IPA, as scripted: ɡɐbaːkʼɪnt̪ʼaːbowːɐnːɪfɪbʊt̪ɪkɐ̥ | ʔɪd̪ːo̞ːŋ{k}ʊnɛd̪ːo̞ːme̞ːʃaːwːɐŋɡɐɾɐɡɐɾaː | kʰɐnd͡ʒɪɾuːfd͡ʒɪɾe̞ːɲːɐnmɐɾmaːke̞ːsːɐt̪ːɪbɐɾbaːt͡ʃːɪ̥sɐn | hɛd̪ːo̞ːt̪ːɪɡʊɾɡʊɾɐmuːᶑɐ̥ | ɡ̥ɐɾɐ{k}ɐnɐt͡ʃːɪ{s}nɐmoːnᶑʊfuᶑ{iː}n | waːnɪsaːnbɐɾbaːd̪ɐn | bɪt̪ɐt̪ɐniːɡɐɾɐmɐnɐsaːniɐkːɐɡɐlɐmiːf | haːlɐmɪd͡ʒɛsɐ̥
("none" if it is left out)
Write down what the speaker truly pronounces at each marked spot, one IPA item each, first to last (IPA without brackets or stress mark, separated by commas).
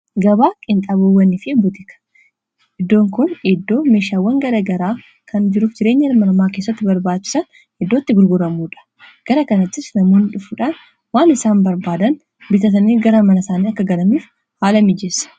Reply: k, k, s, aː